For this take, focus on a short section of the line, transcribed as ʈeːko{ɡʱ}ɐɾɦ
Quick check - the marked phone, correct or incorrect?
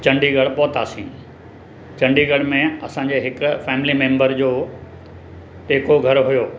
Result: correct